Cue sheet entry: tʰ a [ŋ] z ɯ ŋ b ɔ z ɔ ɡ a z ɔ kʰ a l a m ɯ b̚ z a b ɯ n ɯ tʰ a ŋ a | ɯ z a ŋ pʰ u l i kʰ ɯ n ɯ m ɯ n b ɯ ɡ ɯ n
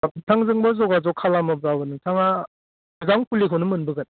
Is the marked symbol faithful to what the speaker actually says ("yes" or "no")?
yes